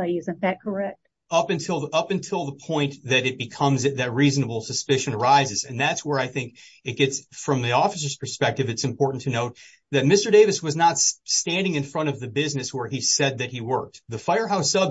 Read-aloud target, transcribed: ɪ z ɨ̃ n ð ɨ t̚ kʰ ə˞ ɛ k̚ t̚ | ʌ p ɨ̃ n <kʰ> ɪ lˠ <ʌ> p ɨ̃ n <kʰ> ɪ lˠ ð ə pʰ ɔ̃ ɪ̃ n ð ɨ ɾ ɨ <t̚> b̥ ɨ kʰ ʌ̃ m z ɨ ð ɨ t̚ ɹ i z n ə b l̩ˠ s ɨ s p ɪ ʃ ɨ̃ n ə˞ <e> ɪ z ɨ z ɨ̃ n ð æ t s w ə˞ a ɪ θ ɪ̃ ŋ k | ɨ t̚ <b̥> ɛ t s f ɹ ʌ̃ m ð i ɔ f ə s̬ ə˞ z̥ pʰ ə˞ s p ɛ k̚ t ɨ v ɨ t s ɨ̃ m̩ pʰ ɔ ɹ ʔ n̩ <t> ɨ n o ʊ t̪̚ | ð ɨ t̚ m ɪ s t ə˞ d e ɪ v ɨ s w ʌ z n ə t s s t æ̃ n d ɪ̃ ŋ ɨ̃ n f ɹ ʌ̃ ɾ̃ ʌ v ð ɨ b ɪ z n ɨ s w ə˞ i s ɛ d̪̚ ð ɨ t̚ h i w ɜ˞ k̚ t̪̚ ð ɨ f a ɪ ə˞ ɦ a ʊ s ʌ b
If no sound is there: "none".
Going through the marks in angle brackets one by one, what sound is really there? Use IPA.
tʰ, ʌ, tʰ, t̚, a, ɡ̥, tʰ

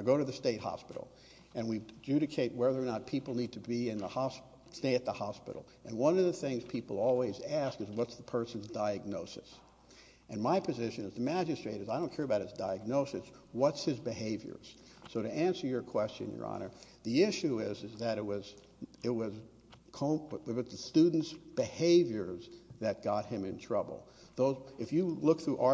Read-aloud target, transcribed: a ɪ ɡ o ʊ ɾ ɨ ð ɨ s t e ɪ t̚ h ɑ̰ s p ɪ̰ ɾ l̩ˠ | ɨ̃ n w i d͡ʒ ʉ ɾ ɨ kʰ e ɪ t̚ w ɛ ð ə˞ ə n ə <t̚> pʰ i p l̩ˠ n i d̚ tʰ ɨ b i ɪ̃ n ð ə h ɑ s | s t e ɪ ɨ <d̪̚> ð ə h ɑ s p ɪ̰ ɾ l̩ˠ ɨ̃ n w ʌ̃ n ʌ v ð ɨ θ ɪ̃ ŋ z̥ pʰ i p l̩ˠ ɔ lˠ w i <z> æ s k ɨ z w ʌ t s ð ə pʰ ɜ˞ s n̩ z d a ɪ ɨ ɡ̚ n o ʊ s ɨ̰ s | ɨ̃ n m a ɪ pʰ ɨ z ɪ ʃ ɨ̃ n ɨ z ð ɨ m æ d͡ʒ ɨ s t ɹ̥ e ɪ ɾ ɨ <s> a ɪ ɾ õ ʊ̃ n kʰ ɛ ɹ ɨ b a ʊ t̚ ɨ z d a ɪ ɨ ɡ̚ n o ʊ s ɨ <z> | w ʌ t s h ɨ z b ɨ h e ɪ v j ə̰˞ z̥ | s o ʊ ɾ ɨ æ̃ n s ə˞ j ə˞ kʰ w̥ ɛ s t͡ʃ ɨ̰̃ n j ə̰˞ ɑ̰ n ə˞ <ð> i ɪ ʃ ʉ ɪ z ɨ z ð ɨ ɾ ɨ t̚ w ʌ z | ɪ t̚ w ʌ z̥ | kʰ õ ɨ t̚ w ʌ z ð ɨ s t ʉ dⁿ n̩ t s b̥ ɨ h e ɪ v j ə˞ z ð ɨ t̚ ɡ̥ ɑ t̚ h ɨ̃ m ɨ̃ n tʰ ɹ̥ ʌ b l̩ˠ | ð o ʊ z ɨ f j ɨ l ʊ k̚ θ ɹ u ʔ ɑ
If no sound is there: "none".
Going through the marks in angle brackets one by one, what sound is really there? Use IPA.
t̚, t̪̚, z, z, s, ð

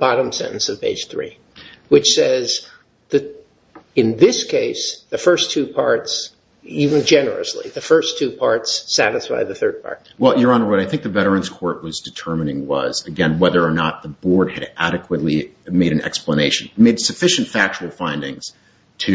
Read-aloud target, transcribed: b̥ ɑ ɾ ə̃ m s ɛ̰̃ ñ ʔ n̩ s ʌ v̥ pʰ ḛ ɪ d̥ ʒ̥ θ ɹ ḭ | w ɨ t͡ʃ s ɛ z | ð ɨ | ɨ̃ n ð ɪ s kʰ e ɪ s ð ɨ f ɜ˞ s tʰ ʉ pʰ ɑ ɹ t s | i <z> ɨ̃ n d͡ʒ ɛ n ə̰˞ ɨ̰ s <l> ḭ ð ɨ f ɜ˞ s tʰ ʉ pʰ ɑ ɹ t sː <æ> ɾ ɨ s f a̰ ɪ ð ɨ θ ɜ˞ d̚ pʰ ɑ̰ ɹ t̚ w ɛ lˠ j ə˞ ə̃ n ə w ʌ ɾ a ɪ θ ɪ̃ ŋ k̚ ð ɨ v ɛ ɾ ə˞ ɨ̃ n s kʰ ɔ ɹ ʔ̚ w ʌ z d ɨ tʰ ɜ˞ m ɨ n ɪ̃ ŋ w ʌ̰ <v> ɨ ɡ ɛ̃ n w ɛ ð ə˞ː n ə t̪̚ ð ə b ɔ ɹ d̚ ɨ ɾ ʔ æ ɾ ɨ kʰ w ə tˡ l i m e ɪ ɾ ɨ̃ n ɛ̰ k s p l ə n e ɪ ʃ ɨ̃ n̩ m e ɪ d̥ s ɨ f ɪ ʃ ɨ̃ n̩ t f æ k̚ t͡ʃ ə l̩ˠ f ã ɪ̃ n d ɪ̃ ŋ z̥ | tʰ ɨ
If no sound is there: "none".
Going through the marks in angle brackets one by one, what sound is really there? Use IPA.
v, l, æ, z

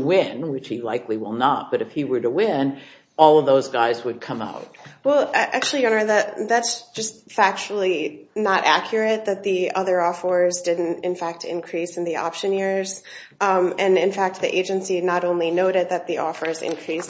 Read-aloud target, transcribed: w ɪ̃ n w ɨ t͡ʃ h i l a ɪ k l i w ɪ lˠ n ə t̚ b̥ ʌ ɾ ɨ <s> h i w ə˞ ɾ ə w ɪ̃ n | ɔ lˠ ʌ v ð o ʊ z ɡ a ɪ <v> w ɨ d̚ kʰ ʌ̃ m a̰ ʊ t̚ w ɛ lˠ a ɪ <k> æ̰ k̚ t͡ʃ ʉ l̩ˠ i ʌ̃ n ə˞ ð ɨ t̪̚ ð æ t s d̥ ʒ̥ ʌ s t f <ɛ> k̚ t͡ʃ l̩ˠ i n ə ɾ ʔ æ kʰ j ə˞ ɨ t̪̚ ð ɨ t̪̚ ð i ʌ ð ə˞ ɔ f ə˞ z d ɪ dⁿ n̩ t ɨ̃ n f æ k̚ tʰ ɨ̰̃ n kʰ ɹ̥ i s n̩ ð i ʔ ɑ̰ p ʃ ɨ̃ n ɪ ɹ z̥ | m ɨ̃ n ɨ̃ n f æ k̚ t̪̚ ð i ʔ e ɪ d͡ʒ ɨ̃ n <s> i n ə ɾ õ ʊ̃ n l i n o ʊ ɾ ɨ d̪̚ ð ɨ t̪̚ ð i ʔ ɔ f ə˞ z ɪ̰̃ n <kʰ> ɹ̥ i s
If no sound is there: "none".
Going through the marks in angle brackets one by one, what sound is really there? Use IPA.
f, z, ʔ, æ, s, kʰ

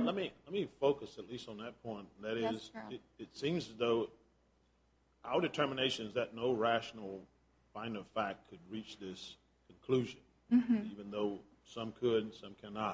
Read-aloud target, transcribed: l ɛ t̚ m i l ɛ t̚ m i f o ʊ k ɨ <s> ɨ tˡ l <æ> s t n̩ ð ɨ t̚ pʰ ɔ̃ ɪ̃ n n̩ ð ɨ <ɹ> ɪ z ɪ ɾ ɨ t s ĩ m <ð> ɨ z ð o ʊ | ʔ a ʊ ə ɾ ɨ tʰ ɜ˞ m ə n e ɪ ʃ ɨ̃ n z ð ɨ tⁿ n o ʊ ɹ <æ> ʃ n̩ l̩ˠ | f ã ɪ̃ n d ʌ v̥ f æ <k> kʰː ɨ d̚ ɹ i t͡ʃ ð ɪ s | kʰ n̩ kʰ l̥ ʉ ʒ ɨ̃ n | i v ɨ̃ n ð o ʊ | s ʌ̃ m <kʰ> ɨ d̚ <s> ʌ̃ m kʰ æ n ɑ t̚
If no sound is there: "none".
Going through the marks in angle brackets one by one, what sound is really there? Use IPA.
s, i, ɾ, z, æ, k, kʰ, s

